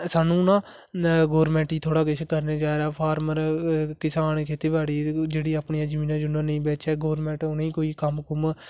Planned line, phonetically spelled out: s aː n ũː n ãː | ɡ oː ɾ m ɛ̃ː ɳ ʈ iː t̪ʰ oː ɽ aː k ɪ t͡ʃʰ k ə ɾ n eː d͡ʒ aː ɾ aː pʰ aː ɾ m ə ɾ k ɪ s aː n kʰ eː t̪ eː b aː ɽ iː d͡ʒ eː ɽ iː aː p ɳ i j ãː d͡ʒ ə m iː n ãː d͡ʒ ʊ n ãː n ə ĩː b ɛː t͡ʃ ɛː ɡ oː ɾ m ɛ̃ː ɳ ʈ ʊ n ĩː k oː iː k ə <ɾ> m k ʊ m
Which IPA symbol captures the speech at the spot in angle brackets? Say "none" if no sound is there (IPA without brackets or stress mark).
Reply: none